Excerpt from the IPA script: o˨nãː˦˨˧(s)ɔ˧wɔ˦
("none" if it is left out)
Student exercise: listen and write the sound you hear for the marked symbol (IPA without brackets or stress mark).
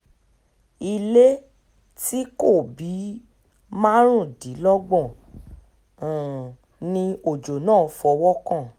f